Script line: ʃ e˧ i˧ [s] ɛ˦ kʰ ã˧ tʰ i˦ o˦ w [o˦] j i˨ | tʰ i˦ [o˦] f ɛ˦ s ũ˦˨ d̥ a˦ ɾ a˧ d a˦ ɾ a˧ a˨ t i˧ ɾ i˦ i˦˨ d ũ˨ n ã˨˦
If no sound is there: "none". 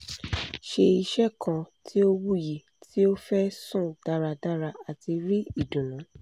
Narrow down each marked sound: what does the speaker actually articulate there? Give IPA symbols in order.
ʃ, u˦, o˦

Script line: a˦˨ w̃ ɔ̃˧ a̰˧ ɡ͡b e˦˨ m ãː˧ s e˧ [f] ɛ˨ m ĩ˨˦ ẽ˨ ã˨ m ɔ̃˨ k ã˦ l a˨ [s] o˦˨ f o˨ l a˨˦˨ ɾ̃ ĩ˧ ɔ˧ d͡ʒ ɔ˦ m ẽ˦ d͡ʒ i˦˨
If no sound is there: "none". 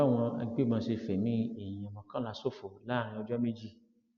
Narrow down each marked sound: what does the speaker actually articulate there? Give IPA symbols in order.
f, s

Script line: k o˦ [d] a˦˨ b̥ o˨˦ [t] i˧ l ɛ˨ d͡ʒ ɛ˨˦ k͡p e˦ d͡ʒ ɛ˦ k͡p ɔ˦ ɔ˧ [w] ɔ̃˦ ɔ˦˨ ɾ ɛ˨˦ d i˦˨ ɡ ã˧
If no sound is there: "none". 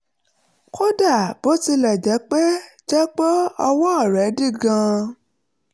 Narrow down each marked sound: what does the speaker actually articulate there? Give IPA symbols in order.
d, t, w

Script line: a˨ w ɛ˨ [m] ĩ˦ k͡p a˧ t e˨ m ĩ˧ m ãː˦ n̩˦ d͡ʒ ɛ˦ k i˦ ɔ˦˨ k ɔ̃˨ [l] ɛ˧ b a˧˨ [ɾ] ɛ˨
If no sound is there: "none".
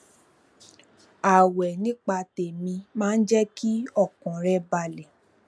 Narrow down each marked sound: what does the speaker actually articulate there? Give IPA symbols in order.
n, ɾ, l

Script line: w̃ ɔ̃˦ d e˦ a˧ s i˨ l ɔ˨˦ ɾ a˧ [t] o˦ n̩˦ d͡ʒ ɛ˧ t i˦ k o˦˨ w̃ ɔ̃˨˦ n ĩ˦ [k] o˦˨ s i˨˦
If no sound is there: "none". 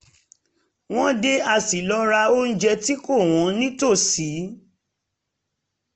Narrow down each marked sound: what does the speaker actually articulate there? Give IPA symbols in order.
none, t

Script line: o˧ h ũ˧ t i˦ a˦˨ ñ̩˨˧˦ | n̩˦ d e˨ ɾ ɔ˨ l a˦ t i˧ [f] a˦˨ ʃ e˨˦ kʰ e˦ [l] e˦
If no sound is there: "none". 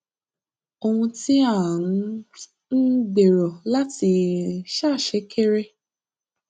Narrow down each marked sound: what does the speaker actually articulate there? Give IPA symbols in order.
ʃ, ɾ

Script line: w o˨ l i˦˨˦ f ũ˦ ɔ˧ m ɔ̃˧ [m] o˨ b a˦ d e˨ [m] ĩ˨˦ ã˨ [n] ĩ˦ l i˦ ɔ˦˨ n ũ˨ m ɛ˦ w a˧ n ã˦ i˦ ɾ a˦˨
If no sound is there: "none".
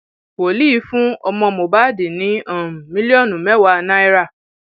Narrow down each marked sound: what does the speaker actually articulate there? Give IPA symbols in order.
m, n, m

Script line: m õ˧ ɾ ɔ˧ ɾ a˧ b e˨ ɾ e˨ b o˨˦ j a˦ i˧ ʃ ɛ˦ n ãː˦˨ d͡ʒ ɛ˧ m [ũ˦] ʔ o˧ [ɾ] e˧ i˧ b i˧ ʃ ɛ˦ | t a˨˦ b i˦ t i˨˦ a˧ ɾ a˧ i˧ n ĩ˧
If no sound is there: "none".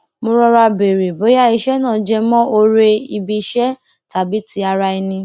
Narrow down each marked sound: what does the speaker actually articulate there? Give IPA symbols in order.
ɔ̃˦, ɾ

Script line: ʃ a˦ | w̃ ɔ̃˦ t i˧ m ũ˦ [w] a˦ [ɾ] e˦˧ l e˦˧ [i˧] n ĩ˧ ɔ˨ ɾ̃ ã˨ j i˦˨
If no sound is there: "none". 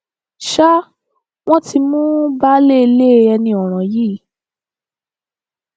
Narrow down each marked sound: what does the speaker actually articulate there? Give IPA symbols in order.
b, l, ɛ˧

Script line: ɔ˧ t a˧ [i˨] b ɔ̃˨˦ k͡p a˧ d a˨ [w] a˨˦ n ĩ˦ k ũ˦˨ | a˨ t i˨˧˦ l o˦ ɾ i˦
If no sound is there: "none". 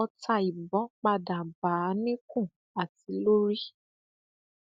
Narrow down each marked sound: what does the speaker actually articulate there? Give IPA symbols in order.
i˨, b

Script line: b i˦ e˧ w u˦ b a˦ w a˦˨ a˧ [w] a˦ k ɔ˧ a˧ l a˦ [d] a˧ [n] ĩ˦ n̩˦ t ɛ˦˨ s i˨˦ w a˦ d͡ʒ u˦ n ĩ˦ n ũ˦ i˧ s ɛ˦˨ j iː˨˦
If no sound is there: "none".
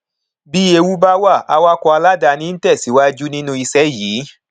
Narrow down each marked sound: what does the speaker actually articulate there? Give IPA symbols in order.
w, d, n

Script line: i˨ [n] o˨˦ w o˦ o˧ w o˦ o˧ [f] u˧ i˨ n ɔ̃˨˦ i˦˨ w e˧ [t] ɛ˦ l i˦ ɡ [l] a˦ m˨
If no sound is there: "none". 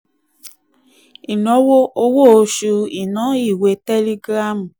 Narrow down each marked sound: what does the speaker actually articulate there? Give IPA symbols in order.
n, ʃ, t, ɾ

